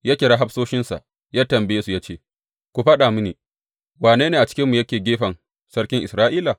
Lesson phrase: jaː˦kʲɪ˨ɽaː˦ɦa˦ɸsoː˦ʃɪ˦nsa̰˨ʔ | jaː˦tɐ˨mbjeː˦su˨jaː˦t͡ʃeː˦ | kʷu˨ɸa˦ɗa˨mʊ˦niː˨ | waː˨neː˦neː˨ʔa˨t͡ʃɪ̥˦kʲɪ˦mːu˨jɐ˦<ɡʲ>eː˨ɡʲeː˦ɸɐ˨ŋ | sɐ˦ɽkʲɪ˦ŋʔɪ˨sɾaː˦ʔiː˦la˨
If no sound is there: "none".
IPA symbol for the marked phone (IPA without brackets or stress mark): kʲ